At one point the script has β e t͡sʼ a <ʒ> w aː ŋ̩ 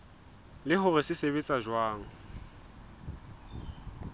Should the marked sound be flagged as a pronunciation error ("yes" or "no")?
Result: no